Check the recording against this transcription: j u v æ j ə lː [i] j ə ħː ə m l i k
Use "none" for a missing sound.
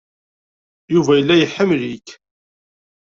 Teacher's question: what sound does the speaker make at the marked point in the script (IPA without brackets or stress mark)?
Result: æ